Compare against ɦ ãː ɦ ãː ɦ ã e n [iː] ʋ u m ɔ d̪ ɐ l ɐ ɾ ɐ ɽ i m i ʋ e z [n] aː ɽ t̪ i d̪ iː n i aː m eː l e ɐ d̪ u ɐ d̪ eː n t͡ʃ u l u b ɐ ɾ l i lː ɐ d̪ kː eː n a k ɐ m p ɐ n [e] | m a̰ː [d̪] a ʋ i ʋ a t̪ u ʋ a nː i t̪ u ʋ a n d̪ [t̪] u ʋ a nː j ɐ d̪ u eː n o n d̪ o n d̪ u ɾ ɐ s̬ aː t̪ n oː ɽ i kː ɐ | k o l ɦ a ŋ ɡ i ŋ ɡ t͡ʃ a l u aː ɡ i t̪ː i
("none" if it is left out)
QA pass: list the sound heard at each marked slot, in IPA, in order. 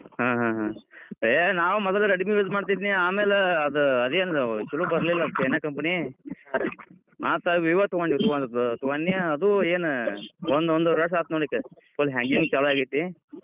aː, m, i, t̪, t̪

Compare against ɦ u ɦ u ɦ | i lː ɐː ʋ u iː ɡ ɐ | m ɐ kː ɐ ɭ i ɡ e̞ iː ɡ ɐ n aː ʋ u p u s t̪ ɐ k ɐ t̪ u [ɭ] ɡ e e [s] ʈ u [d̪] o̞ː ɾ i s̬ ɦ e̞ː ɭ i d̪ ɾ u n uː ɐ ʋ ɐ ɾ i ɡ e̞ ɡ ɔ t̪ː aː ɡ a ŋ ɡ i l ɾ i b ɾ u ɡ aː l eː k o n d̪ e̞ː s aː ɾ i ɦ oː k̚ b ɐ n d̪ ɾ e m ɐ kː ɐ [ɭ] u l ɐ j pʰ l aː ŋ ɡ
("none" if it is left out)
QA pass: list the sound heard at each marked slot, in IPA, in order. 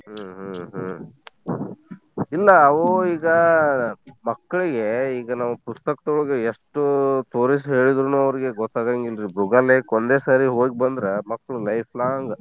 ɭ, ʂ, t̪, ɭ

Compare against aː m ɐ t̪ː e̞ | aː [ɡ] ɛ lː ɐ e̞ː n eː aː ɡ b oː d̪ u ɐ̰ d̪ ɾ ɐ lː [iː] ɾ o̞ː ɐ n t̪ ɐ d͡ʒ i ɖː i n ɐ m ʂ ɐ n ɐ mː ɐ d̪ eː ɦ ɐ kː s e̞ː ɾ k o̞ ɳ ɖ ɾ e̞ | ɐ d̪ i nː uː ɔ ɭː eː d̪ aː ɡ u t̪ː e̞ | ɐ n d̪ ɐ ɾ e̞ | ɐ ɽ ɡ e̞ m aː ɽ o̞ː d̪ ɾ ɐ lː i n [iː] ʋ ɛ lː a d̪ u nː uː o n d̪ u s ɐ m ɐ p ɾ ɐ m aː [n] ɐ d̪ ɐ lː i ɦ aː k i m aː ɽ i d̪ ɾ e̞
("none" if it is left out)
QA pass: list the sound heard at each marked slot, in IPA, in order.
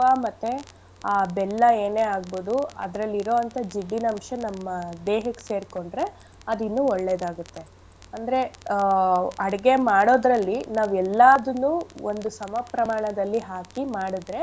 b, i, aː, ɳ

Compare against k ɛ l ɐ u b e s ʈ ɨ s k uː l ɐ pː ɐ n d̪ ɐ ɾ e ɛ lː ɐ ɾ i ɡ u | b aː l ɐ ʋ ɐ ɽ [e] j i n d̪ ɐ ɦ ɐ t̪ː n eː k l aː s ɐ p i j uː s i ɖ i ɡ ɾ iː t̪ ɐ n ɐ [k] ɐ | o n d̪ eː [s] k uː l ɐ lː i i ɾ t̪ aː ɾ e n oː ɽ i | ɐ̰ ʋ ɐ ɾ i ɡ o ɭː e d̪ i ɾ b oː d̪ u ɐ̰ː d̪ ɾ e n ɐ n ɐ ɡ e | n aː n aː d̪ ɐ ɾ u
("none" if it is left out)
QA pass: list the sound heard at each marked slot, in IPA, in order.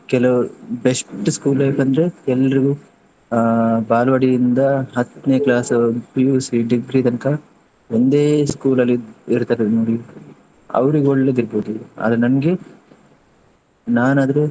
i, k, s

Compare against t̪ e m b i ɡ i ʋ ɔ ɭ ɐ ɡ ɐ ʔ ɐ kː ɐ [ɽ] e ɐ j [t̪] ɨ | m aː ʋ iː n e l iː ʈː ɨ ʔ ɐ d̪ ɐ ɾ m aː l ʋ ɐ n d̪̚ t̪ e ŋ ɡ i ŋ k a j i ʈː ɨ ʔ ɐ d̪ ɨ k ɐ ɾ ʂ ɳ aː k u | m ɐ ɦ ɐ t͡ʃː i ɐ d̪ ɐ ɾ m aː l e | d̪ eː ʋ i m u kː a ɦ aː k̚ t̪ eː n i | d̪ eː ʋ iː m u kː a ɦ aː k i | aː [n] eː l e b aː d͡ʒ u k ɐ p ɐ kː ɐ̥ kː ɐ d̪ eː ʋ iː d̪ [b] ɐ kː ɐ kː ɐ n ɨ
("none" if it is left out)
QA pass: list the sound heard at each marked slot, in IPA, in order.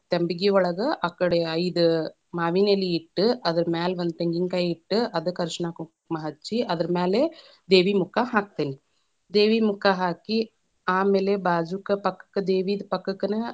ɽ, d̪, m, p

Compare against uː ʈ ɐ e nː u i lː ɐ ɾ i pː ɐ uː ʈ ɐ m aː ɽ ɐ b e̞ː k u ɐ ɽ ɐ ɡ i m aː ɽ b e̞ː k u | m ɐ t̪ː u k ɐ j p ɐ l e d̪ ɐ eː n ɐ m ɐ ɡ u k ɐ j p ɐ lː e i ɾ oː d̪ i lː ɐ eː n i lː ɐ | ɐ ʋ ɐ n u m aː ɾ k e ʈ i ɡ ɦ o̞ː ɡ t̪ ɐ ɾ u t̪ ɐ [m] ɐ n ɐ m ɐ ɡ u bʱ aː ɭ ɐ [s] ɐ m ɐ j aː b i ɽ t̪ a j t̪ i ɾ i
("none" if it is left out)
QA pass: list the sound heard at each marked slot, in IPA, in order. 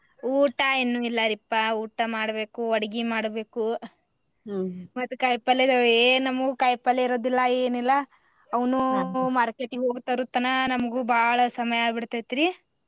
n, s

